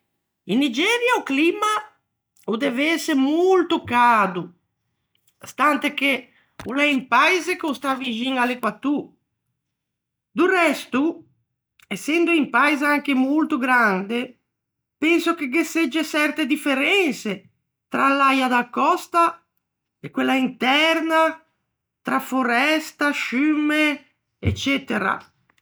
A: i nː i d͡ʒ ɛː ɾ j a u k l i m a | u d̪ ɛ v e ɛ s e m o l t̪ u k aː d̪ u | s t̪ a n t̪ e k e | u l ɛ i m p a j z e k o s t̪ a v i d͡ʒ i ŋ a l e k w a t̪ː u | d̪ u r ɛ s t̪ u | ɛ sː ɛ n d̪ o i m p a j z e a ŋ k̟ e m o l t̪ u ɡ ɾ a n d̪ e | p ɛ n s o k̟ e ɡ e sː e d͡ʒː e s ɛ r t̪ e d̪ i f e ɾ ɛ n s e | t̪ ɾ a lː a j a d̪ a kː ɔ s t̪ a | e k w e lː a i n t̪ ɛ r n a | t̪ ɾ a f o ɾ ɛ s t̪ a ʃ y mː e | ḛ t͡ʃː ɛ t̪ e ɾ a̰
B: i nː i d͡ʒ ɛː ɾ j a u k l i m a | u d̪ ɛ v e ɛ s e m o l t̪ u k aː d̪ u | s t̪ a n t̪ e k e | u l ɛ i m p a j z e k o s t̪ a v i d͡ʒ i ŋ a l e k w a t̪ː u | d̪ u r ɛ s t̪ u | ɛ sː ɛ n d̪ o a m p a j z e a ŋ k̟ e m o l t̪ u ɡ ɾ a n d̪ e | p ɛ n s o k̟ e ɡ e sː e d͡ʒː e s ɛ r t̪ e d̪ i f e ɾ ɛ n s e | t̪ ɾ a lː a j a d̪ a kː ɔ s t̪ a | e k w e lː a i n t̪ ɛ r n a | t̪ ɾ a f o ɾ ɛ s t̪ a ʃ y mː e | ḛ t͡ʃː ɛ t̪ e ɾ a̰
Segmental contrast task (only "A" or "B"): A